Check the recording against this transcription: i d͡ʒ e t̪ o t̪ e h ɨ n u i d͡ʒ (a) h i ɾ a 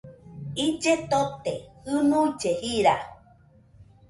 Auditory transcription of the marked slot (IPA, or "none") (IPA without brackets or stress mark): e